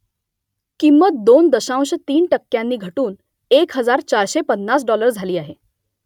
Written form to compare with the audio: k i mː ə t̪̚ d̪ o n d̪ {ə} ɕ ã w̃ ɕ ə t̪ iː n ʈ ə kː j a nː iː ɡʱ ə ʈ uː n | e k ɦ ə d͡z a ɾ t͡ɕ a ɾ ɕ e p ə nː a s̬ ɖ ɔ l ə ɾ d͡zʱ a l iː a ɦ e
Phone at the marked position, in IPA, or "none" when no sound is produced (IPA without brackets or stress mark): ə